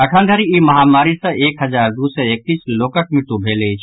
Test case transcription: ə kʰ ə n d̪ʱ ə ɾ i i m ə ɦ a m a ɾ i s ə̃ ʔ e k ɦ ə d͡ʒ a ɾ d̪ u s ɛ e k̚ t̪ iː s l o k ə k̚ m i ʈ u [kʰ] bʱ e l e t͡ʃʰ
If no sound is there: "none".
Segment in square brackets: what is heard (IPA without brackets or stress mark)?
none